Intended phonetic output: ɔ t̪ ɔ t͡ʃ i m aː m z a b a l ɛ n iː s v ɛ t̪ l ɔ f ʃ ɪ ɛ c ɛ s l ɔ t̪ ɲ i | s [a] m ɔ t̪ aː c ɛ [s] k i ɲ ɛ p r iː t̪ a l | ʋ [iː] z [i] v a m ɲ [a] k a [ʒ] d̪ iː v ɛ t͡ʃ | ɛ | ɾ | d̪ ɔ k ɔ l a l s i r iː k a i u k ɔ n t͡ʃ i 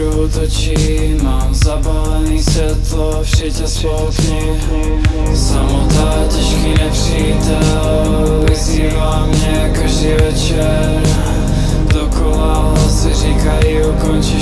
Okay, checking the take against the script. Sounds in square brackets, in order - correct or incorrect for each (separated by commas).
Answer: correct, incorrect, incorrect, incorrect, incorrect, correct